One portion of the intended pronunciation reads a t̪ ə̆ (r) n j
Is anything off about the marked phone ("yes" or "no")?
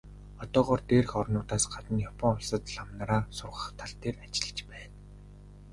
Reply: yes